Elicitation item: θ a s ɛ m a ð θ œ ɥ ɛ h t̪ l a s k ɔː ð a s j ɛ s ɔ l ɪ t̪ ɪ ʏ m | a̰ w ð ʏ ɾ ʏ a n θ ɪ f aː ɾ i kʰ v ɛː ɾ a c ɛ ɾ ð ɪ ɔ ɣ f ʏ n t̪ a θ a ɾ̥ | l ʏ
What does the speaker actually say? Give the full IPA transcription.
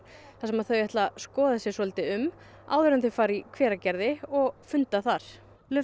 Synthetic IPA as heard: θ a s ɛ m a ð θ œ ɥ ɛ h t̪ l a s k ɔː ð a s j ɛ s ɔ l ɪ t̪ ɪ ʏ m | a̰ w ð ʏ ɾ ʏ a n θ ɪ f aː ɾ i kʰ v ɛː ɾ a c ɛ ɾ ð ɪ ɔ ɣ f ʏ n t̪ a θ a ɾ̥ | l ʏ

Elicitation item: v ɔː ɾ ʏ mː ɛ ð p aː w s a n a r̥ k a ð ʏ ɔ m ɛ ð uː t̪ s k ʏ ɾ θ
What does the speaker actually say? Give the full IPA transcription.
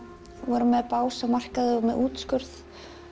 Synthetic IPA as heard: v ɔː ɾ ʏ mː ɛ ð p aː w s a m a r̥ k a ð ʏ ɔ m ɛ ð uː t̪ s k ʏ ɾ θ

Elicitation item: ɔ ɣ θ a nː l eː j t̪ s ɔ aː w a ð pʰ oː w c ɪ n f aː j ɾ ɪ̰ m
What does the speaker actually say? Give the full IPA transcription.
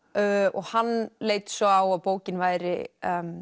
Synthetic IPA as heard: ɔ ɣ h a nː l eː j t̪ s ɔ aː w a ð p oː w c ɪ n v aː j ɾ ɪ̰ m

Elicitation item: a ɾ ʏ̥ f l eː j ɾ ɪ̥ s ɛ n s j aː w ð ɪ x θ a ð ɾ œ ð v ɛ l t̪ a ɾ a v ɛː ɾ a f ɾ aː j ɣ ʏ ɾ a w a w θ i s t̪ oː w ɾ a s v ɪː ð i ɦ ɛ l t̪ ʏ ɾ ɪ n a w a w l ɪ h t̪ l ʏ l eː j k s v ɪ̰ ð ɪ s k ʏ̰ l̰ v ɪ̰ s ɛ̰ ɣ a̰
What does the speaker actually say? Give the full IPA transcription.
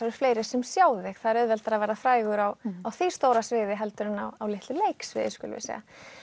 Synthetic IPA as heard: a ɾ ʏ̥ f l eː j ɾ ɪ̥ s ɛ m s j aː w ð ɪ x θ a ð ɾ œ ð v ɛ l t̪ a ɾ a v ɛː ɾ a f ɾ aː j ɣ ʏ ɾ a w a w θ i s t̪ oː w ɾ a s v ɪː ð ɪ ɦ ɛ l t̪ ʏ ɾ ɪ n a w a w l ɪ h t̪ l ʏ l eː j k s v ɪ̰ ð ɪ s k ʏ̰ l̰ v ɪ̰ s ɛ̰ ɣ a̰

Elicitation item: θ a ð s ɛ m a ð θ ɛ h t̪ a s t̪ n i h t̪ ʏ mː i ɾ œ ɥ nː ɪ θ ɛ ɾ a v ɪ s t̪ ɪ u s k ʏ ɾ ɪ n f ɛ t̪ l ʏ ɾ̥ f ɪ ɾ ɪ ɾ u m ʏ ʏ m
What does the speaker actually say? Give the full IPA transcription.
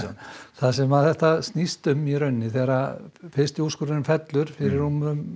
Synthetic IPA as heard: θ a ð s ɛ m a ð θ ɛ h t̪ a s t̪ n i s t̪ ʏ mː i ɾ œ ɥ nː ɪ θ ɛ ɾ a f ɪ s t̪ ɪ u s k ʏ ɾ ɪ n f ɛ t̪ l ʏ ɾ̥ f ɪ ɾ ɪ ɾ u m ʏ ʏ m

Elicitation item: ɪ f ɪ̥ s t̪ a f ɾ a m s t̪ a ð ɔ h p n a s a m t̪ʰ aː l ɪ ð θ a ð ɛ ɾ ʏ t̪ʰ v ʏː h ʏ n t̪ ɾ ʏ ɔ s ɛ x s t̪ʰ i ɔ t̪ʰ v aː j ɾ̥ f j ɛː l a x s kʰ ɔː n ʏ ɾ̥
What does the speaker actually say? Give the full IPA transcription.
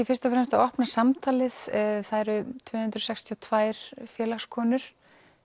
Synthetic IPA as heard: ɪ f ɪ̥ s t̪ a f ɾ ɛ m s t̪ a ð ɔ h p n a s a m t̪ʰ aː l ɪ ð θ a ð ɛ ɾ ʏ t̪ʰ v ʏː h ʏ n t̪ ɾ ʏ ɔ s ɛ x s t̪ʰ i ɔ t̪ʰ v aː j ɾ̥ f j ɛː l a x s kʰ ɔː n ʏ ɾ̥

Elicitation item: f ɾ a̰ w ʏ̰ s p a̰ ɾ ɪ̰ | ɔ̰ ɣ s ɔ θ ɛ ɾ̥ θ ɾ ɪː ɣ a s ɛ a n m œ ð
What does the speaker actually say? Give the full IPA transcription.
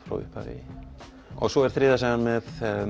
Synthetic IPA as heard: f ɾ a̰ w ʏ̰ h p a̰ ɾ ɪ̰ | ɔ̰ ɣ s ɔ ɛ ɾ̥ θ ɾ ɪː ð a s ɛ a n m ɛ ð

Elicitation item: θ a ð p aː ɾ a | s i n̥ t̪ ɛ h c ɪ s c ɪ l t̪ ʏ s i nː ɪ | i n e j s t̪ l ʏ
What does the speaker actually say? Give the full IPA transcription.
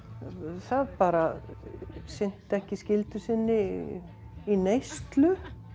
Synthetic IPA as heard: θ a ð p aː ɾ a | s ɪ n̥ t̪ ɛ h c ɪ s c ɪ l t̪ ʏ s ɪ nː ɪ | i n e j s t̪ l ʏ

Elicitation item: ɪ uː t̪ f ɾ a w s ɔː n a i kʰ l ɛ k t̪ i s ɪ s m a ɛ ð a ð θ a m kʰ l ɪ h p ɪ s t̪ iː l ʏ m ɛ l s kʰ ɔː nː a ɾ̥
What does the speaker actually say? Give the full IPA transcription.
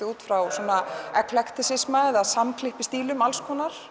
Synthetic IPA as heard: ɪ uː t̪ f ɾ a w s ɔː n a ɛ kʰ l ɛ k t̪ ɪ s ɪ s m a ɛ ð a ð s a m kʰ l ɪ h p ɪ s t̪ iː l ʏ m a l s kʰ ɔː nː a ɾ̥

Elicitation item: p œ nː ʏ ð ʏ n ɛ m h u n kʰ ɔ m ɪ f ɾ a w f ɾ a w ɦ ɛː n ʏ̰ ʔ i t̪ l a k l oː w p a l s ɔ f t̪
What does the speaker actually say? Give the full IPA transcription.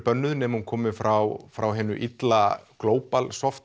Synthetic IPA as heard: p œ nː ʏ ð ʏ n ɛ m h u n kʰ ɔː m ɪ f ɾ a w f ɾ a w ɦ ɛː n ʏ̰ ʔ i t̪ l a k l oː w p a l s ɔ f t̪

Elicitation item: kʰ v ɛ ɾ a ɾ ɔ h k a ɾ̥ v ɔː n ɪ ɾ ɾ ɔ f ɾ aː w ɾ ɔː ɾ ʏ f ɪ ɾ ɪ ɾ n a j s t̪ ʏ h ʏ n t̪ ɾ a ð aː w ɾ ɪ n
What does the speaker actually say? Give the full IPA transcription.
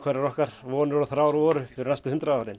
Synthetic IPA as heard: kʰ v ɛ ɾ a ɾ ɔ h k a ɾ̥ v ɔː n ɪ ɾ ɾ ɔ θ ɾ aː w ɾ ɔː ɾ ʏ f ɪ ɾ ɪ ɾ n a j s t̪ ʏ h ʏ n t̪ ɾ a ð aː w ɾ ɪ n

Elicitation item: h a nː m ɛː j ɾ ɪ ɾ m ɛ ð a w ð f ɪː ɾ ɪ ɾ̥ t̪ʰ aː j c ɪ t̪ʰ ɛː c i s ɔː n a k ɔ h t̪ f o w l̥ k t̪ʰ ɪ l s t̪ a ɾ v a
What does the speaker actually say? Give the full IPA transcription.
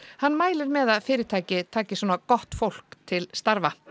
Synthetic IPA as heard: h a nː m aː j l ɪ ɾ m ɛ ð a ð f ɪː ɾ ɪ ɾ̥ t̪ʰ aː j c ɪ t̪ʰ aː c ɪ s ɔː n a k ɔ h t̪ f o w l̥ k t̪ʰ ɪ l s t̪ a ɾ v a

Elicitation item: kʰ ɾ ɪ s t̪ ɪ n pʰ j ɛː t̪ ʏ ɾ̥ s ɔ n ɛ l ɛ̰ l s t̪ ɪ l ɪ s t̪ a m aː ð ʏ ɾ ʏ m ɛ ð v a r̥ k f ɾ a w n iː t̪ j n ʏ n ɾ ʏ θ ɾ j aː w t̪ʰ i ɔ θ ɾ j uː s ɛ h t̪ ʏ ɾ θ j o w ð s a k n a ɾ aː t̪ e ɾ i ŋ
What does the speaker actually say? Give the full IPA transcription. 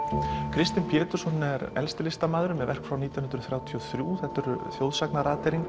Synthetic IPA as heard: kʰ ɾ ɪ s t̪ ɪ n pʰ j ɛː t̪ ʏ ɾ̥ s ɔ n ɛ ɾ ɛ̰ l s t̪ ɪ l ɪ s t̪ a m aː ð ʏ ɾ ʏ m ɛ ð v ɛ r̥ k f ɾ a w n iː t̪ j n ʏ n ɾ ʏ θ ɾ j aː w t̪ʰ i ɔ θ ɾ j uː θ ɛ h t̪ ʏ ɾ θ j o w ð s a k n a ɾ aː t̪ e ɾ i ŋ

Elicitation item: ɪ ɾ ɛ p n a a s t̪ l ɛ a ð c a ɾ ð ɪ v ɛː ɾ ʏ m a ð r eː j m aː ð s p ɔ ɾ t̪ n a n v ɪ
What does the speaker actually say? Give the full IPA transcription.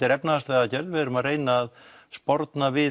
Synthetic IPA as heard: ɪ ɾ ɛ p n a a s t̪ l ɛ a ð c ɛ ɾ ð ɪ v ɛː ɾ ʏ m a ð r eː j n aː ð s p ɔ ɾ t̪ n a v ɪ

